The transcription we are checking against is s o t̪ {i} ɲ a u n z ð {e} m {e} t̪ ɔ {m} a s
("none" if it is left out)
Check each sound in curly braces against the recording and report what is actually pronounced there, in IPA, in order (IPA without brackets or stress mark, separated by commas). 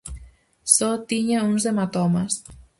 i, e, a, m